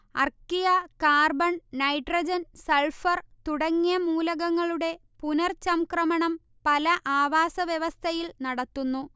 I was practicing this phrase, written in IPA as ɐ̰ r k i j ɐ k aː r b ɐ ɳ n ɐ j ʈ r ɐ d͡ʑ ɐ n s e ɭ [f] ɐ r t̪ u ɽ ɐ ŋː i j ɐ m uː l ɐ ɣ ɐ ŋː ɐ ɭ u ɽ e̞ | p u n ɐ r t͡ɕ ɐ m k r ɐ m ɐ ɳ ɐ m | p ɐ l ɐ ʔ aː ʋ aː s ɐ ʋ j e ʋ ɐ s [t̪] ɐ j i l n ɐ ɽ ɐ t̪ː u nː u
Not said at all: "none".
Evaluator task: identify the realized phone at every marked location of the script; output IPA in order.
f, t̪ʰ

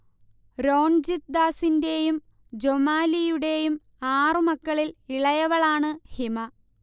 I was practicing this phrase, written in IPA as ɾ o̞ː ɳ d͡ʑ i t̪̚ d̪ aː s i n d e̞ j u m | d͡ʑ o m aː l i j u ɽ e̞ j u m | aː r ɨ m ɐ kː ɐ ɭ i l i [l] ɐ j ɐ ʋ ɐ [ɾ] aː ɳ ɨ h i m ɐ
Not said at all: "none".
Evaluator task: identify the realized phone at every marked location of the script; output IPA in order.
ɭ, ɭ

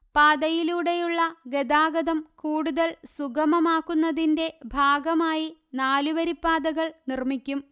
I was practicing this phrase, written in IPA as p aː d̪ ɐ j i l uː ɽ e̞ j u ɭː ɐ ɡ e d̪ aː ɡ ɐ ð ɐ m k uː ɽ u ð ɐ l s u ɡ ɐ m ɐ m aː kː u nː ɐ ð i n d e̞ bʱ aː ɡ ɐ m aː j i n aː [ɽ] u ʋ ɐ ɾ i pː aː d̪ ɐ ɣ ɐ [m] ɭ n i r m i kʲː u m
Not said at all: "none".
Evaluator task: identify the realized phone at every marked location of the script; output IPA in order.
l, none

